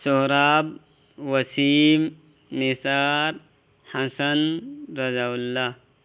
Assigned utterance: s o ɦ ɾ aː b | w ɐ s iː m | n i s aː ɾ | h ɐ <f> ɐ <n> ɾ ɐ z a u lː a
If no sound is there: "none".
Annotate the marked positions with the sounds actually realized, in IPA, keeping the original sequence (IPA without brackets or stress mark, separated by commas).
s, n